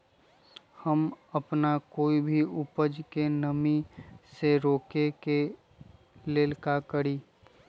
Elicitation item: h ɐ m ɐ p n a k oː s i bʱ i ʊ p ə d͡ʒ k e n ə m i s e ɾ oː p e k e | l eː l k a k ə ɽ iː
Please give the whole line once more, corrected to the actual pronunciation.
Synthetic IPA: h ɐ m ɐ p n a k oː i bʱ i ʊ p ə d͡ʒ k e n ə m i s e ɾ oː k e k e | l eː l k a k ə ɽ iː

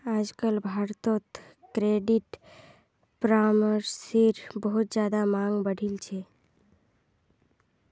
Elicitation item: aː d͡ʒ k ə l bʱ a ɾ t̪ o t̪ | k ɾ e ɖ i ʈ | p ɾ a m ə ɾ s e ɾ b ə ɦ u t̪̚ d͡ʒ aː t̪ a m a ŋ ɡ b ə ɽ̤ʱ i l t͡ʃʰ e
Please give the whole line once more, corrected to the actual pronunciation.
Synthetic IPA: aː d͡ʒ k ə l bʱ a ɾ t̪ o t̪ | k ɾ e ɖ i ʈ | p ɾ a m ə ɾ s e ɾ b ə ɦ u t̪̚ d͡ʒ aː d̪ a m a ŋ ɡ b ə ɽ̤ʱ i l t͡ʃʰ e

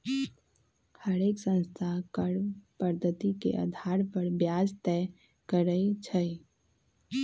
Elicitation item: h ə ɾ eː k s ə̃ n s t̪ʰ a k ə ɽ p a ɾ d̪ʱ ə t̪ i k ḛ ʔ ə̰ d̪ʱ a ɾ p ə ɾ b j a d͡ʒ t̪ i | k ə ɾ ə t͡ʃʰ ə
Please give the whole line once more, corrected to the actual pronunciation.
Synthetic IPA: h ə ɾ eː k s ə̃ n s t̪ʰ a k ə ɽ p ə ɾ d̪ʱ ə t̪ i k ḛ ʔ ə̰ d̪ʱ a ɾ p ə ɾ b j a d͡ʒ t̪ ɛ | k ə ɾ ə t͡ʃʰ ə

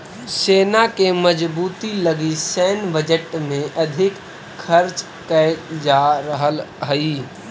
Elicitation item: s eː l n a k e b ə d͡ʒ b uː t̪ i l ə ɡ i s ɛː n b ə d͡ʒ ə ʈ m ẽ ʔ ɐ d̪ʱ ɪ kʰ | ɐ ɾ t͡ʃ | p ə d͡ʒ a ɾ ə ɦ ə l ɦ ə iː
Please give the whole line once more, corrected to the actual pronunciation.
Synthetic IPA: s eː n a k e m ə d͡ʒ b uː t̪ i l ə ɡ i s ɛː n b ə d͡ʒ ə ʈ m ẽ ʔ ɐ d̪ʱ ɪ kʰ | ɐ ɾ t͡ʃ | k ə d͡ʒ a ɾ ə ɦ ə l ɦ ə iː

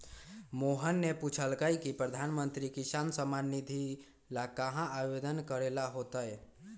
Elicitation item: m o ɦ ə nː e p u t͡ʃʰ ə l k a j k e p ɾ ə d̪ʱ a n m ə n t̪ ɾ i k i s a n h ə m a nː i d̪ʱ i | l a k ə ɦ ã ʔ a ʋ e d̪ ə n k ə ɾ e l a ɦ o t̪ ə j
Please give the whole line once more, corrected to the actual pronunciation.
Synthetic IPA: m o ɦ ə nː e p u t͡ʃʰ ə l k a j k i p ɾ ə d̪ʱ a n m ə n t̪ ɾ i k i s a n s ə m a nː i d̪ʱ i | l a k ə ɦ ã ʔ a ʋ e d̪ ə n k ə ɾ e l a ɦ o t̪ ə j

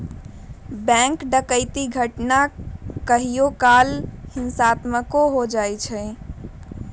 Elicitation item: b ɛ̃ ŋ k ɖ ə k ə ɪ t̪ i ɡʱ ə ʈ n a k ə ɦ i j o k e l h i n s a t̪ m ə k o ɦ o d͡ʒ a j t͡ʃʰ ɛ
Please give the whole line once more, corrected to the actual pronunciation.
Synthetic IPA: b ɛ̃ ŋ k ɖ ə k ə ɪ t̪ i ɡʱ ə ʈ n a k ə ɦ i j o k a l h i n s a t̪ m ə k o ɦ o d͡ʒ a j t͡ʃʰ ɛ

